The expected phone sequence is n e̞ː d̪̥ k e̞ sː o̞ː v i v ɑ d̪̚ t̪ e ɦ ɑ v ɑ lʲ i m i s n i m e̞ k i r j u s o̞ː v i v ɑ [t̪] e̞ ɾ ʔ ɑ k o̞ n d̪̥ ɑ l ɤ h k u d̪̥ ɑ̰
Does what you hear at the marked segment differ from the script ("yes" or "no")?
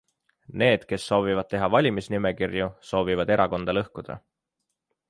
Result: yes